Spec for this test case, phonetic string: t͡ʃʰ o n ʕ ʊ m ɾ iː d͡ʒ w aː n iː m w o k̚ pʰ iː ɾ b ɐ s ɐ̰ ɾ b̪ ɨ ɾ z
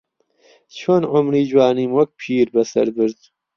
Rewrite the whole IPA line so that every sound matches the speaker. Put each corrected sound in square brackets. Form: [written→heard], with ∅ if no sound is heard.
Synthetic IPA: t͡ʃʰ o n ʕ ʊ m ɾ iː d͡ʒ w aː n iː m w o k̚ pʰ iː ɾ b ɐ s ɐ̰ ɾ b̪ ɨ ɾ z